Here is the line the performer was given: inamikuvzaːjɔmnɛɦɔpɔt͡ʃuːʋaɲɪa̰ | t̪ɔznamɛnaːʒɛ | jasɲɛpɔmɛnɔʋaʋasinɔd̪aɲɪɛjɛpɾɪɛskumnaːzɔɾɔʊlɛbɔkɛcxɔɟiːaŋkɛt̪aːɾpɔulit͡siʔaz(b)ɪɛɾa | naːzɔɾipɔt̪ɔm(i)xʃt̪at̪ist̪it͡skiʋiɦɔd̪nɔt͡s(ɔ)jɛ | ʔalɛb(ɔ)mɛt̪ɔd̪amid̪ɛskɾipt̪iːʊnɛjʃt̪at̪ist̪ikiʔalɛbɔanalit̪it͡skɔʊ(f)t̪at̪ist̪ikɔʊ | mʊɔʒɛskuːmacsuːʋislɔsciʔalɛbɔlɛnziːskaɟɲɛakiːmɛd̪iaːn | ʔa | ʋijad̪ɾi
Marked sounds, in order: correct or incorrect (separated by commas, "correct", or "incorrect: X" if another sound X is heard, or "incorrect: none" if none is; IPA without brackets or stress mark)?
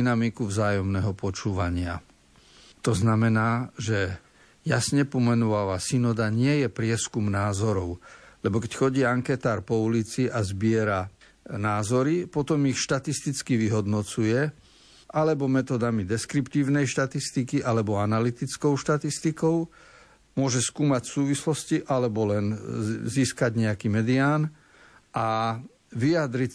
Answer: correct, correct, incorrect: u, correct, incorrect: ʃ